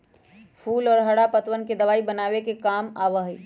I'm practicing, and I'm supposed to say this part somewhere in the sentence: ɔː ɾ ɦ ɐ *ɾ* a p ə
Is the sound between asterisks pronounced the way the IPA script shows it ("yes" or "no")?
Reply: no